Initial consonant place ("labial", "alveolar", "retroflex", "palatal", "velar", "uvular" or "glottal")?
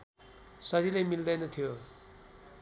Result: alveolar